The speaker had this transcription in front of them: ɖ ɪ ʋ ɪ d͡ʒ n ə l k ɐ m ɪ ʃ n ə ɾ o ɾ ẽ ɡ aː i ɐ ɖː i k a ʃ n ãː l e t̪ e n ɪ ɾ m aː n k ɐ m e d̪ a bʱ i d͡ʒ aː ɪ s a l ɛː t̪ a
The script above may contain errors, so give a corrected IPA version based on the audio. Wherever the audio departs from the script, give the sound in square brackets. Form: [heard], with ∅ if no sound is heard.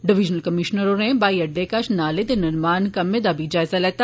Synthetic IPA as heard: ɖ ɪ ʋ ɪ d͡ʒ n ə l k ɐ m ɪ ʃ n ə ɾ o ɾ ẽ [b] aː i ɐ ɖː [e] k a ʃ n [aː] l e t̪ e n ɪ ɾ m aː n k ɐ m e d̪ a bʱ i d͡ʒ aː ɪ [z] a l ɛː t̪ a